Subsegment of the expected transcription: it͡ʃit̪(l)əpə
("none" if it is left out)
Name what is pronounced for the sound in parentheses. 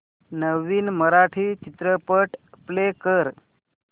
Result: ɾ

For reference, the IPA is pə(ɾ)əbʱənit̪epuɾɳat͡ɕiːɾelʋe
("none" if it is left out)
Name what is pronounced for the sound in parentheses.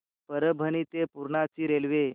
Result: ɾ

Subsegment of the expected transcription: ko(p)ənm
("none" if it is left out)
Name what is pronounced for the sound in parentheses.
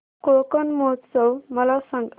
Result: k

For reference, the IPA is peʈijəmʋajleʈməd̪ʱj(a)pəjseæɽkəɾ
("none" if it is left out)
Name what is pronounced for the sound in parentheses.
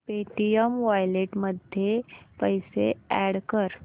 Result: e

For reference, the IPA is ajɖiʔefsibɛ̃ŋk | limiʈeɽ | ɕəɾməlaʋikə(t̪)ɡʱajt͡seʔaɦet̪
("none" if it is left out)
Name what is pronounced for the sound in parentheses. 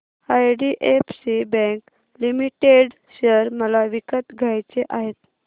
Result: t̪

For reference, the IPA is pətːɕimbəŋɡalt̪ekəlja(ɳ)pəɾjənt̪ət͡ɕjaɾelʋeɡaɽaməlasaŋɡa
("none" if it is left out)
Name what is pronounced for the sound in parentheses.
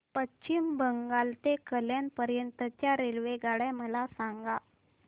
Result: n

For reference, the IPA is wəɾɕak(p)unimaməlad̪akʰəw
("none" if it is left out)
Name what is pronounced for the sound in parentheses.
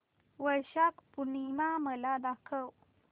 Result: p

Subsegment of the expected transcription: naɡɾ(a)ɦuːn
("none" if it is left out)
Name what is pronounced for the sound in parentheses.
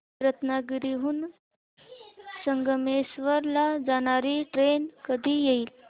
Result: i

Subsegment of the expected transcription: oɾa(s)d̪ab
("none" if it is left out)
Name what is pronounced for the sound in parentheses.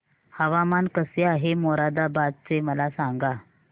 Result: none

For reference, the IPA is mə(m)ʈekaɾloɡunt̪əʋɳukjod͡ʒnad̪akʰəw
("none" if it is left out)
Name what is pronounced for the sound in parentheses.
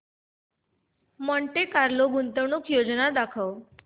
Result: ɳ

